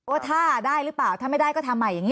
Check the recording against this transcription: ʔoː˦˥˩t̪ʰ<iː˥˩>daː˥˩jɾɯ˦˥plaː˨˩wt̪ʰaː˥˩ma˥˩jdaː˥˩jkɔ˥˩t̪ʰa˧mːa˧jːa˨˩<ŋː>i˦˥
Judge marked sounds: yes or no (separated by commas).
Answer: no, no